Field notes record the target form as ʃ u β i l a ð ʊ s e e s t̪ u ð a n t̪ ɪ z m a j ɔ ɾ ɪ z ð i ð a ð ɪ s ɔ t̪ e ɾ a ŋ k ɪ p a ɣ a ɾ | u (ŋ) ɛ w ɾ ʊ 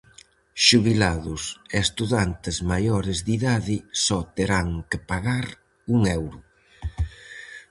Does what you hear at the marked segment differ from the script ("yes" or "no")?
no